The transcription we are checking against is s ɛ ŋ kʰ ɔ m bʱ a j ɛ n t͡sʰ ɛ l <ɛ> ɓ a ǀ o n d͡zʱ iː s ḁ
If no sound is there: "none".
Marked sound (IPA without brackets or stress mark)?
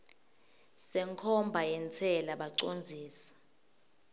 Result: a